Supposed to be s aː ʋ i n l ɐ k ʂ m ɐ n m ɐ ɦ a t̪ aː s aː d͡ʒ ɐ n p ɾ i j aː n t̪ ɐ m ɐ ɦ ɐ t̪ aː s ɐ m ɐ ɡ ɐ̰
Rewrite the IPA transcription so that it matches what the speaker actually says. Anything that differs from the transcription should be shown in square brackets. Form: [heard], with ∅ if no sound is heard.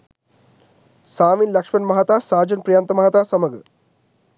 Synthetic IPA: s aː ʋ i n l ɐ k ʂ m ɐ n m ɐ ɦ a t̪ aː s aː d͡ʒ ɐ n p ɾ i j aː n t̪ ɐ m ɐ ɦ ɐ t̪ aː s ɐ m ɐ ɡ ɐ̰

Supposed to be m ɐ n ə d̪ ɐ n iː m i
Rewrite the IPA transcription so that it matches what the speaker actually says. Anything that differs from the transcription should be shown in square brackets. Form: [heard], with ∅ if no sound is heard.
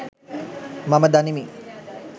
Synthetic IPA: m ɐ [m] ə d̪ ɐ n [i] m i

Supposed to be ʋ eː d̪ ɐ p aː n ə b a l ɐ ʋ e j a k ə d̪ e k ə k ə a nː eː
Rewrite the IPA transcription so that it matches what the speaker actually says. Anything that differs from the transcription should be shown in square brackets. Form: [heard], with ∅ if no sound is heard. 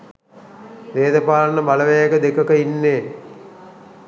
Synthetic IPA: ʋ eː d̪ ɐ p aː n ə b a l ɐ ʋ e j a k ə d̪ e k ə k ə [i] nː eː

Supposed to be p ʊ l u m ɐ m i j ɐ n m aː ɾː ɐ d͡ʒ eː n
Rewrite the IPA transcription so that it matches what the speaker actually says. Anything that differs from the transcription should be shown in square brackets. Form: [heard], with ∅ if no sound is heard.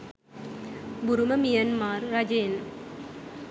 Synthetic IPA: [b] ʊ [ɾ] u m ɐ m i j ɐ n m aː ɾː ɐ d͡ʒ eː n

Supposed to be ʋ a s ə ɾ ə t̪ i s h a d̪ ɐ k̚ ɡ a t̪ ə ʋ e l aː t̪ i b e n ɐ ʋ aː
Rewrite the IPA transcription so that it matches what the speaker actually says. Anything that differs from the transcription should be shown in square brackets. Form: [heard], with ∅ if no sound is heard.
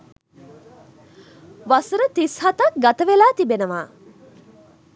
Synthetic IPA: ʋ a s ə ɾ ə t̪ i s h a [t̪] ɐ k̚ ɡ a t̪ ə ʋ e l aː t̪ i b e n [ə] ʋ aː

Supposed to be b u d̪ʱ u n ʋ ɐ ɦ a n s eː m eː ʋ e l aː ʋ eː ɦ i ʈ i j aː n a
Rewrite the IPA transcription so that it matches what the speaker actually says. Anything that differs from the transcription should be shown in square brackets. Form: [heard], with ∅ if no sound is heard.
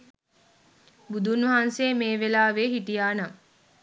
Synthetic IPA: b u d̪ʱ u n ʋ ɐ ɦ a n s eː m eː ʋ e l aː ʋ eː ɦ i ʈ i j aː n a

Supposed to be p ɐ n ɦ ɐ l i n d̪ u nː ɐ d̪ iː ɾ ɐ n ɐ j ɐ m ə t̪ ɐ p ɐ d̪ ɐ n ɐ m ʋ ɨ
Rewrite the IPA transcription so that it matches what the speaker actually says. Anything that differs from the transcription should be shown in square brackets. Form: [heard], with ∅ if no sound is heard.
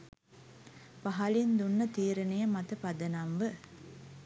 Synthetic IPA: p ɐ [∅] ɦ ɐ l i n d̪ u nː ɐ [t̪] iː ɾ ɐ n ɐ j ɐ m [ɐ] t̪ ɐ p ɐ d̪ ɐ n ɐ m ʋ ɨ

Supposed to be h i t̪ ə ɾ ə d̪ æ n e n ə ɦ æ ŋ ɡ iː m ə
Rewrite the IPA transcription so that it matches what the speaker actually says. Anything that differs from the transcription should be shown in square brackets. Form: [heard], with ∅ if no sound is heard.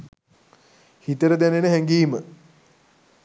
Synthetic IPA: h i t̪ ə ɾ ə d̪ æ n e n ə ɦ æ ŋ ɡ iː m ə

